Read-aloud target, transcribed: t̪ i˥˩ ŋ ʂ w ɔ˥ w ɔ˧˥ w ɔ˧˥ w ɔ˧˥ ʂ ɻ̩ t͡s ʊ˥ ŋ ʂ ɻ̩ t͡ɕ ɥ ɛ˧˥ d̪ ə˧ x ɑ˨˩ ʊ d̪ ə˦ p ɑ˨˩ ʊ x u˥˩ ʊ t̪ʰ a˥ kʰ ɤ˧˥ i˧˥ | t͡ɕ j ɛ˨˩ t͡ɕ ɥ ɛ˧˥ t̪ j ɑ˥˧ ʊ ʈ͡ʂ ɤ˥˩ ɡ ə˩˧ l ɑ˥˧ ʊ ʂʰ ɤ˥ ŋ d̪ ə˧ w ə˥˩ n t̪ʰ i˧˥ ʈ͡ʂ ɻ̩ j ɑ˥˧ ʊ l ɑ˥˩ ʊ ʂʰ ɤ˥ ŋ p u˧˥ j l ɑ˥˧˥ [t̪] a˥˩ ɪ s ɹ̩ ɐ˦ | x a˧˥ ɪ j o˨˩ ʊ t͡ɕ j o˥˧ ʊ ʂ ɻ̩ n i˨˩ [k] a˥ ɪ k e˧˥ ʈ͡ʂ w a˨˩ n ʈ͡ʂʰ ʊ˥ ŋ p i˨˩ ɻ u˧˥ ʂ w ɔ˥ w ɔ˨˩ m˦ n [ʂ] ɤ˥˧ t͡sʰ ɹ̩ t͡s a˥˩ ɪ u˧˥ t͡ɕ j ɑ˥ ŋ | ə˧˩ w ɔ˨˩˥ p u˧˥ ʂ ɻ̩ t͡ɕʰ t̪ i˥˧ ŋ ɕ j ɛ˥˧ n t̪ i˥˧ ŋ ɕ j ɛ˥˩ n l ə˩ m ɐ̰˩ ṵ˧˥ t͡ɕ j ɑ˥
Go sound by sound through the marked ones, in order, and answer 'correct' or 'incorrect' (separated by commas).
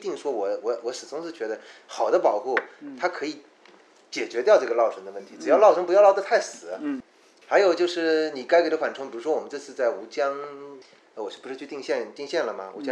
incorrect, correct, incorrect